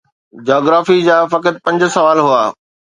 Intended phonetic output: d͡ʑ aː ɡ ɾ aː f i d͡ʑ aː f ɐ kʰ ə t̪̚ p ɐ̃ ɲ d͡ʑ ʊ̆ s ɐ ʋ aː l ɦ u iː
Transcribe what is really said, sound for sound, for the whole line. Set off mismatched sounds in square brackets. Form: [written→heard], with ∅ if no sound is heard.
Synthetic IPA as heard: d͡ʑ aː ɡ ɾ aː f i d͡ʑ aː f ɐ [kʰ→k] ə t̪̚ p ɐ̃ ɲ d͡ʑ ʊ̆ s ɐ ʋ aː l ɦ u [iː→aː]